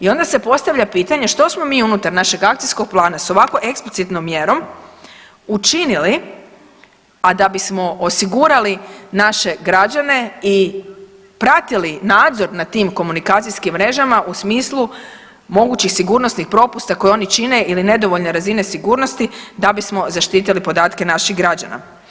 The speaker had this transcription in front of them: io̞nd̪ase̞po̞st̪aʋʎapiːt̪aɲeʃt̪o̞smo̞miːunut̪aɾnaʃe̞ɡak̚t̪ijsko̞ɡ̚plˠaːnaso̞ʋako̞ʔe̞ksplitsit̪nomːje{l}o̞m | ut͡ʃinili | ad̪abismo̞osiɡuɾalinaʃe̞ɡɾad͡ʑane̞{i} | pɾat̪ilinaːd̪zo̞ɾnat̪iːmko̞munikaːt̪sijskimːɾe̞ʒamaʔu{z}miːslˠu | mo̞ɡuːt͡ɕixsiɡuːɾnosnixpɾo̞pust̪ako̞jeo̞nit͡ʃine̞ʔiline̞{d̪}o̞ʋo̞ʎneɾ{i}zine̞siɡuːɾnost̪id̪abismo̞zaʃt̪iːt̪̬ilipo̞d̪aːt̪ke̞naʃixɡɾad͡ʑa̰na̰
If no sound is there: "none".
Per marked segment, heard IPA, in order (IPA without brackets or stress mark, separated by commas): ɾ, i, s, d̪, a